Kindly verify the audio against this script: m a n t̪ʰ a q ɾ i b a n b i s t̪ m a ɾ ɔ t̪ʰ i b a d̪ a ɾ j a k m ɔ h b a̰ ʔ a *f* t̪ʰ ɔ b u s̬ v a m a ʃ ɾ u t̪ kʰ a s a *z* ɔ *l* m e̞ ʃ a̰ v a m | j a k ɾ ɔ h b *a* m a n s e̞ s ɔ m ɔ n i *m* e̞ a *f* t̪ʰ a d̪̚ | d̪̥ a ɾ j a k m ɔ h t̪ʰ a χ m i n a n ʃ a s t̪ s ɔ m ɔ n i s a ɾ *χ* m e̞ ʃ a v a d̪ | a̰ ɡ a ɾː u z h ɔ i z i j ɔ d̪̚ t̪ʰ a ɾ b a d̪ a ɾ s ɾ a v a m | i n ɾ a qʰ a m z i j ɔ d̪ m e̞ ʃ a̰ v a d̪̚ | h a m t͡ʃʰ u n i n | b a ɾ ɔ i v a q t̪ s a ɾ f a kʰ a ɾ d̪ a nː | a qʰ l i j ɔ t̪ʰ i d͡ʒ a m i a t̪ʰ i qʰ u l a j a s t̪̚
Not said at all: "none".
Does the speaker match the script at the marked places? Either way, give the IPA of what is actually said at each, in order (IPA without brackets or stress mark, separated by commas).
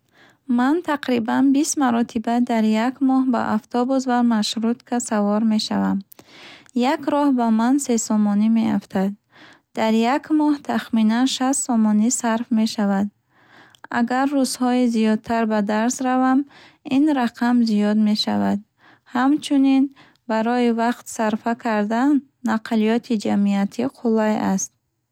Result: f, v, ɾ, a, m, f, f